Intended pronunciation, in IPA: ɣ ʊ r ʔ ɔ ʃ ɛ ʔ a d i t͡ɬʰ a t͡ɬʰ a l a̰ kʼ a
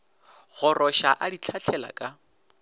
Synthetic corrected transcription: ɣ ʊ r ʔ ɔ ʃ a ʔ a d i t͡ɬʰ a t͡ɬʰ ɛ l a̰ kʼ a